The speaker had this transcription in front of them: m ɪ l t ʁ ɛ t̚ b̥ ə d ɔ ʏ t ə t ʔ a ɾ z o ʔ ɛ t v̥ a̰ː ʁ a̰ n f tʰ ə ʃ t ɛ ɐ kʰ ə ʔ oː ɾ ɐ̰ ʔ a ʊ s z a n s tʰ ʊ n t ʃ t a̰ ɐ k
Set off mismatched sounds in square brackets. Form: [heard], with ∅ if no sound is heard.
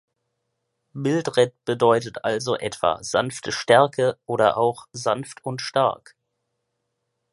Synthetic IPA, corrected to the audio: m ɪ l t ʁ ɛ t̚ b̥ ə d ɔ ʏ t ə t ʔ a [l] z o ʔ ɛ t v̥ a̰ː [z] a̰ n f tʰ ə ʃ t ɛ ɐ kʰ ə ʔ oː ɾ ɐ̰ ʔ a ʊ [x] z a n [f] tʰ ʊ n t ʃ t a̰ ɐ k